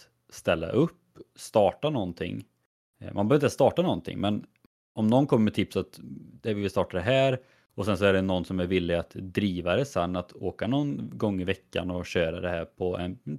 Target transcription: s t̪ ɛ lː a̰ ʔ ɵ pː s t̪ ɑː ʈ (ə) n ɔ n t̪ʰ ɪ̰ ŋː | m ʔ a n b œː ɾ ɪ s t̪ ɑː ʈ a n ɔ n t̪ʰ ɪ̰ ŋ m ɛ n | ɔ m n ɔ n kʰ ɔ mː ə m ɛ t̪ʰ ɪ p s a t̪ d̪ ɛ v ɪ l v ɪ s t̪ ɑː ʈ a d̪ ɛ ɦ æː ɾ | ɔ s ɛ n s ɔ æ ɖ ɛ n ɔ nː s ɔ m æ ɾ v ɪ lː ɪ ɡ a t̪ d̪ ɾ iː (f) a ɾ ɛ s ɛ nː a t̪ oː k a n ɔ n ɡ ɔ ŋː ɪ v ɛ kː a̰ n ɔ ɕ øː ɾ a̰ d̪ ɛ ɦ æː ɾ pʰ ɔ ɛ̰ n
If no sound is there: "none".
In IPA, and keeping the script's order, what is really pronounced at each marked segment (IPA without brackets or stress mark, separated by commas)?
a, v